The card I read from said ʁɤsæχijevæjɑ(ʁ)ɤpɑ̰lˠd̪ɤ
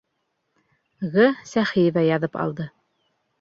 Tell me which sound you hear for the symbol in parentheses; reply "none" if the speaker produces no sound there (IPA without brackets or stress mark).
ð